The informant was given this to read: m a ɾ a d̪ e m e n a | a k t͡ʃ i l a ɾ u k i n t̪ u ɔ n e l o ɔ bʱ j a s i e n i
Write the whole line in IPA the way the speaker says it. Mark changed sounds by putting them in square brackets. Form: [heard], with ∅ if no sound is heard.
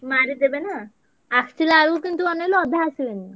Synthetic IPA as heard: m a ɾ [i] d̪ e [b] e n a | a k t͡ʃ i l a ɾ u k i n t̪ u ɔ n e l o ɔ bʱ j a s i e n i